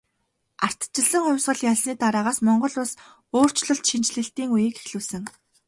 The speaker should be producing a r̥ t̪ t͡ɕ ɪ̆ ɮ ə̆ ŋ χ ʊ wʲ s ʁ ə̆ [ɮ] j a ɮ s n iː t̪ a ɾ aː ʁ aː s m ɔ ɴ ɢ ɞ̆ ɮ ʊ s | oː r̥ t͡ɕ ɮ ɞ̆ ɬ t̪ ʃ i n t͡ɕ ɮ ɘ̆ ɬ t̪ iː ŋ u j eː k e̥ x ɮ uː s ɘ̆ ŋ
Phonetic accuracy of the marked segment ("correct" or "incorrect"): correct